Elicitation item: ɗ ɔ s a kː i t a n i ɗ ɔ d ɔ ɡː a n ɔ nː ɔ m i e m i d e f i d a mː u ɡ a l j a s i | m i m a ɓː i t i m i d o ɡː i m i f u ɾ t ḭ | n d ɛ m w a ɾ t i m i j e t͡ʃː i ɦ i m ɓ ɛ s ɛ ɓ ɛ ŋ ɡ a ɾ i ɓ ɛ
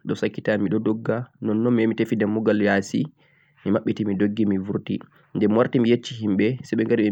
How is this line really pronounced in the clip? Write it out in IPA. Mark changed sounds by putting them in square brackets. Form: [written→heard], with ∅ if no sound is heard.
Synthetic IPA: ɗ ɔ s a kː i t a [n→m] i ɗ ɔ d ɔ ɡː a n ɔ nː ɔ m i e m i [d→t] e f i d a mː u ɡ a l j a s i | m i m a ɓː i t i m i d o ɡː i m i [f→v] u ɾ t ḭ | n d ɛ m w a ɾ t i m i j e t͡ʃː i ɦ i m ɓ ɛ s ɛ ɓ ɛ ŋ ɡ a ɾ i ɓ ɛ